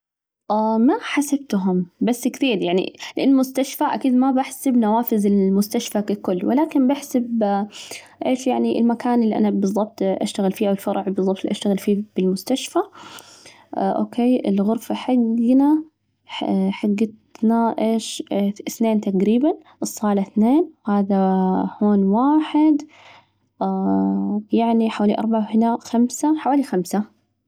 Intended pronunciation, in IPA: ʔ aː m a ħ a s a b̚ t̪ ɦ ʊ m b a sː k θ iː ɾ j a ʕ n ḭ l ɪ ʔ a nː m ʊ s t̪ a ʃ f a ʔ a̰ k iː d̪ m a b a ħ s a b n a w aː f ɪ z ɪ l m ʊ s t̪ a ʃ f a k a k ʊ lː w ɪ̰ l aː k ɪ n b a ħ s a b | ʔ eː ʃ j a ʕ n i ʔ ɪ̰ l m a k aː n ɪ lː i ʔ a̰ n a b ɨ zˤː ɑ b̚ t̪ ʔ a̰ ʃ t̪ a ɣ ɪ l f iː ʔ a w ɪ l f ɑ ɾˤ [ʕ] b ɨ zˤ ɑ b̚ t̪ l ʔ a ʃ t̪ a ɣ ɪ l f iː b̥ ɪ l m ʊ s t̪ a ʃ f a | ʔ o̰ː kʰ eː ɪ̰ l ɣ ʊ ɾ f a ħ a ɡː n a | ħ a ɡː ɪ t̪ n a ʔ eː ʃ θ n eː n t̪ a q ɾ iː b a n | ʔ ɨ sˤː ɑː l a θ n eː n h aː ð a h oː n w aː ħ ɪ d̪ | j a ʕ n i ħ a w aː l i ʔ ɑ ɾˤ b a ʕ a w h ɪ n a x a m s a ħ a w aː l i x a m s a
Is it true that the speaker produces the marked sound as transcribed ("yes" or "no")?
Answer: yes